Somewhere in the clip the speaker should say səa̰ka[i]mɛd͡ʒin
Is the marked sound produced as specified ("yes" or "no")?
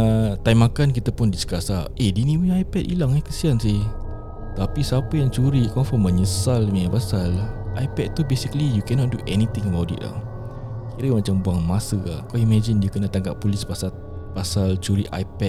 yes